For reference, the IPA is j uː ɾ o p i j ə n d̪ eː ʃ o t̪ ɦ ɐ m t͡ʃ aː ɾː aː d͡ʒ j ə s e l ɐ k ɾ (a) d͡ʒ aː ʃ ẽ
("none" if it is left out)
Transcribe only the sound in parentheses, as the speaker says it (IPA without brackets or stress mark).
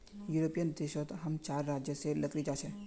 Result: i